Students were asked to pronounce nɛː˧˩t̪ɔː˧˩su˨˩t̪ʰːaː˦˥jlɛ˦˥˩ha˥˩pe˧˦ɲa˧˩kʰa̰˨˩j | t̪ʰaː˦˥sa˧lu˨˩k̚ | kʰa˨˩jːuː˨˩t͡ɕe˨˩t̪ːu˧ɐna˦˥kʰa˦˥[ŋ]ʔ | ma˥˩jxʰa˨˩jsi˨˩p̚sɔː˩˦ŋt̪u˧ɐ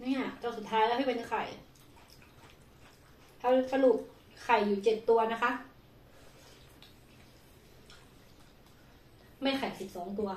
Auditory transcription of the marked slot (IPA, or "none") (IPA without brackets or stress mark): none